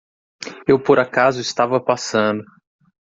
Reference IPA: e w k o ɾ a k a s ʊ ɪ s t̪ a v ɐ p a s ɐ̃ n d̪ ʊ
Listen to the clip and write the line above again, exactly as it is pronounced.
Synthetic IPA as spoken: e w p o ɾ a k a z ʊ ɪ s t̪ a v ɐ p a s ɐ̃ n d̪ ʊ